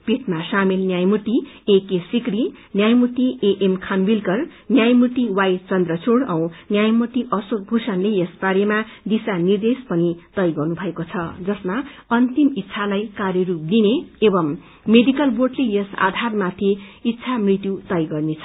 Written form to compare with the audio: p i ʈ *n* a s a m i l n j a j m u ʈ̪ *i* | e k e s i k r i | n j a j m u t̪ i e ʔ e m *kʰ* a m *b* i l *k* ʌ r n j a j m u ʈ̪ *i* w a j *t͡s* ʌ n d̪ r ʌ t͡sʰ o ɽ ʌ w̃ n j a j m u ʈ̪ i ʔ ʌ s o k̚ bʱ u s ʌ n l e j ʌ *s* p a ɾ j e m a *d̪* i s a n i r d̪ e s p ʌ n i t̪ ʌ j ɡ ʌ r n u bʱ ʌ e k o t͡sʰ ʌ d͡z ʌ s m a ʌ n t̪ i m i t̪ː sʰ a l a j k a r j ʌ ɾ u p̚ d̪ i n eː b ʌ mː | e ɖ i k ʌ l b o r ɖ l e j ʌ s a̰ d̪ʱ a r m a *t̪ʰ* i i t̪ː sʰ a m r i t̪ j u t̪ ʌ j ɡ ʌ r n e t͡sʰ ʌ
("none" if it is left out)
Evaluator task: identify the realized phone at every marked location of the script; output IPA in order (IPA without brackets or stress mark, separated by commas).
m, i, kʰ, b, k, i, t͡s, s, d̪, t̪ʰ